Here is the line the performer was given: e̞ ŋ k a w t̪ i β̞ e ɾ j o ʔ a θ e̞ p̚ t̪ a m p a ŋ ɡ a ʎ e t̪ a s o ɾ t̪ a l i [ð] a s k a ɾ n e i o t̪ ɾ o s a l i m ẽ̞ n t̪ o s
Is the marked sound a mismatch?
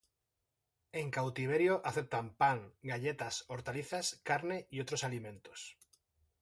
yes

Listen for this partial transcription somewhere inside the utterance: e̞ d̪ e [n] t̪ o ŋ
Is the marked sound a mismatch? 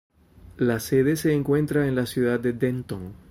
no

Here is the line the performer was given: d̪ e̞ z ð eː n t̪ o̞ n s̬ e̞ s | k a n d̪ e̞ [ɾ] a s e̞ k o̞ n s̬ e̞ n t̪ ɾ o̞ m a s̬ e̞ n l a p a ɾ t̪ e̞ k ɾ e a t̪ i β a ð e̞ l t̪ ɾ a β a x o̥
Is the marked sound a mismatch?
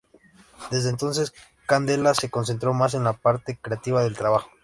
yes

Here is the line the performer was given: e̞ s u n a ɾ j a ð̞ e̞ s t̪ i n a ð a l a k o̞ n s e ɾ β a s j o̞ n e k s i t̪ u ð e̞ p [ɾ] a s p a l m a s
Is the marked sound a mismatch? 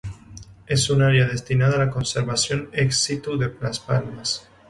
yes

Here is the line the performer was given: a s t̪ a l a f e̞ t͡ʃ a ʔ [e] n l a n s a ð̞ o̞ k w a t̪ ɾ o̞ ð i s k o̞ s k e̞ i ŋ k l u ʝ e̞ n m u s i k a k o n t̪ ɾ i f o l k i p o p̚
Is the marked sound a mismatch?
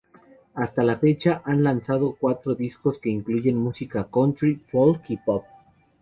yes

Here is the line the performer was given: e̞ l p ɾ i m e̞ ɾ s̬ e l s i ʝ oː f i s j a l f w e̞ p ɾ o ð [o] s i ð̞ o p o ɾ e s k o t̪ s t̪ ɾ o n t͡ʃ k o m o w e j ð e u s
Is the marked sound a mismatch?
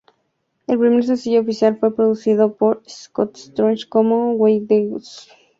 yes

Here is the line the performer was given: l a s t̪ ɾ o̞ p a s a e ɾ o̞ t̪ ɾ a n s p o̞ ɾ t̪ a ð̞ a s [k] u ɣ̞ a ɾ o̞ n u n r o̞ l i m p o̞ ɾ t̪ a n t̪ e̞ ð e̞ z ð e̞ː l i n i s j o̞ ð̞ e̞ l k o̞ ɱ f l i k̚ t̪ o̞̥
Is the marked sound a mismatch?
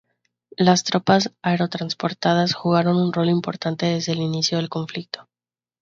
yes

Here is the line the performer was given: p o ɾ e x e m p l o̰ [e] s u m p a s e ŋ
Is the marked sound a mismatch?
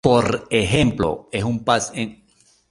no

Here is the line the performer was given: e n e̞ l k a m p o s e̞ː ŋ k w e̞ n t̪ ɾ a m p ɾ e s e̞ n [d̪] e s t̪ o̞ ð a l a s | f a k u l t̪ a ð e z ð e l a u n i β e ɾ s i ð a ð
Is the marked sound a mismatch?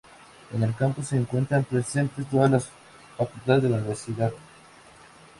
yes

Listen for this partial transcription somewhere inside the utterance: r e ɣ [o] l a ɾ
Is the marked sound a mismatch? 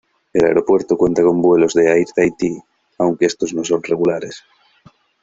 yes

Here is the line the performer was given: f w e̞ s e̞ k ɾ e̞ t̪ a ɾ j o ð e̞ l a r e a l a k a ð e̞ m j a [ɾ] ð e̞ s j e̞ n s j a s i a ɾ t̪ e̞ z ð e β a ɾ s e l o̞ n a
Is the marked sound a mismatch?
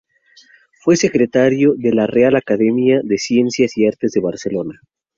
yes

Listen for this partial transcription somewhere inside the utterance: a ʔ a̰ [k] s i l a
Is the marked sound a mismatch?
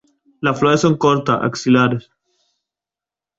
no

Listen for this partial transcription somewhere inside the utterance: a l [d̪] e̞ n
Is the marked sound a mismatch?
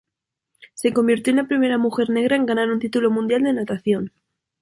no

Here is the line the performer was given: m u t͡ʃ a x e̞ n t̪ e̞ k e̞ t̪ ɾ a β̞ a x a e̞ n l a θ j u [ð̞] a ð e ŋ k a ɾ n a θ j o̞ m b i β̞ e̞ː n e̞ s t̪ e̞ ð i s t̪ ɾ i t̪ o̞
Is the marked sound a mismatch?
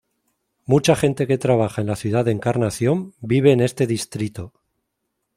no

